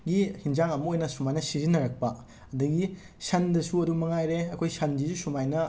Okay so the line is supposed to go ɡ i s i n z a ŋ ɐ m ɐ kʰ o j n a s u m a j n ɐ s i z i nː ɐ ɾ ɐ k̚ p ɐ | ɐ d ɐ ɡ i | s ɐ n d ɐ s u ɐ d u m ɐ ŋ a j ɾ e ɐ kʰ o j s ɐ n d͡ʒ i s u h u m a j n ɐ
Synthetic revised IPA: ɡ i h i n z a ŋ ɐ m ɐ o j n ɐ s u m a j n ɐ s i z i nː ɐ ɾ ɐ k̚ p ɐ | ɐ d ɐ ɡ i | s ɐ n d ɐ s u ɐ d u m ɐ ŋ a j ɾ e ɐ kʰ o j s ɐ n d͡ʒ i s u s u m a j n ɐ